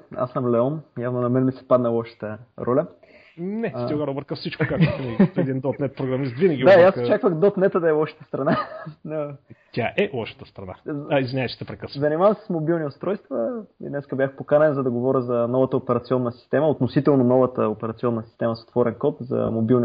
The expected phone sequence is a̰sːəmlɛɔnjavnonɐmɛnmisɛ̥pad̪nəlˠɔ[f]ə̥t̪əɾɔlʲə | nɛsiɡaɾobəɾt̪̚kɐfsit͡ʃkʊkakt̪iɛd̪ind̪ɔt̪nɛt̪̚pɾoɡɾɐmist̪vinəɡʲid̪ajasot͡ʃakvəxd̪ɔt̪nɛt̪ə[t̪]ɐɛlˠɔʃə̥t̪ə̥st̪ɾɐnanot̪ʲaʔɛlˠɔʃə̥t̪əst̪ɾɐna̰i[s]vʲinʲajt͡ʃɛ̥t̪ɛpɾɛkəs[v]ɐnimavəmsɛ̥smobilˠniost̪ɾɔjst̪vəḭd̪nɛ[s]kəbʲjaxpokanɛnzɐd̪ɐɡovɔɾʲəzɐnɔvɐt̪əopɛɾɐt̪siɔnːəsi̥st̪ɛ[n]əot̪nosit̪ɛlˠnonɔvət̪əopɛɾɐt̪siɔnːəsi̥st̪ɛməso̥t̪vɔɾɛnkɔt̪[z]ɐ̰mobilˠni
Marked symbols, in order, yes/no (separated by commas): no, no, no, no, yes, no, yes